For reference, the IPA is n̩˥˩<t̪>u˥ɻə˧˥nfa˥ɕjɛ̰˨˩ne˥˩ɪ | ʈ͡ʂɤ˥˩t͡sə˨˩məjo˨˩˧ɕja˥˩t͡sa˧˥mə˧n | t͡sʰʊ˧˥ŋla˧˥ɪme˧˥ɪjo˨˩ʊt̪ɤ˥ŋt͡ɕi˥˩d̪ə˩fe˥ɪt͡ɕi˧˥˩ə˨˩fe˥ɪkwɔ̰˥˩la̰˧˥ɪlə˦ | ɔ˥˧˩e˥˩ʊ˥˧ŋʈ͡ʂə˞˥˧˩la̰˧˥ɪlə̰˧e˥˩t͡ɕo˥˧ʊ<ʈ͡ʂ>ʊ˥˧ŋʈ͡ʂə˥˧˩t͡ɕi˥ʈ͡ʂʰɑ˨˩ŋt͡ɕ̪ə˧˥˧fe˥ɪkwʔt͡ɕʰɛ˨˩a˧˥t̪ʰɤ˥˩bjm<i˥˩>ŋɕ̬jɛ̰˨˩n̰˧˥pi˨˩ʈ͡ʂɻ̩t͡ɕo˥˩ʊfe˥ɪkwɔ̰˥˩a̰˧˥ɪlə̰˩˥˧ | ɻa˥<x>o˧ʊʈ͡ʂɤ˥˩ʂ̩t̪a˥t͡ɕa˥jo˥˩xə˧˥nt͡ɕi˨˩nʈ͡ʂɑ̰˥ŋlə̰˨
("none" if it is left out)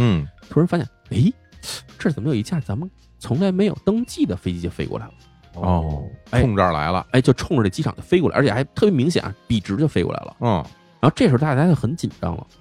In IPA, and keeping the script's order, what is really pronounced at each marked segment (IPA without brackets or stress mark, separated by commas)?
t̪ʰ, ʈ͡ʂʰ, i˧˥, x